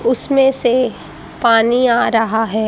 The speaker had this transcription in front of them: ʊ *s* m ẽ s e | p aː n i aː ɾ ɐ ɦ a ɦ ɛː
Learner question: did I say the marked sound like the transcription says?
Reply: yes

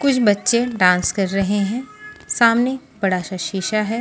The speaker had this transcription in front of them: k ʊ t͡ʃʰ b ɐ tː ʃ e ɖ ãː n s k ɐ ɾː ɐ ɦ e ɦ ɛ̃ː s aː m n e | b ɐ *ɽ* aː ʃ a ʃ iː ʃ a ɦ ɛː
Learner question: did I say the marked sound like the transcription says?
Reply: yes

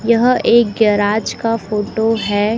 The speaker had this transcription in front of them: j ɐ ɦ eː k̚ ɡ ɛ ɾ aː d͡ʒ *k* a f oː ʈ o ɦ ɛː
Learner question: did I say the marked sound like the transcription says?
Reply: yes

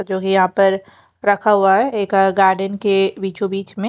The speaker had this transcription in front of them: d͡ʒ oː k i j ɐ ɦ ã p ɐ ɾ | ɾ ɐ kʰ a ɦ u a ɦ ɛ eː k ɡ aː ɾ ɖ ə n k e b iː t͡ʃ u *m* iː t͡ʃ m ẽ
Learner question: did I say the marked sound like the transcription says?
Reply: no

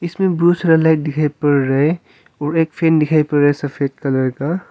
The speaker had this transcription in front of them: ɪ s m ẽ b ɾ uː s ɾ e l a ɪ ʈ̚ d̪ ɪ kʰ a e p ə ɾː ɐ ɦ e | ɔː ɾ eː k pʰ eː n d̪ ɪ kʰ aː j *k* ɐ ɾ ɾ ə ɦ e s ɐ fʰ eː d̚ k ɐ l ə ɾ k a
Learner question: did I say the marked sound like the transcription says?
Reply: no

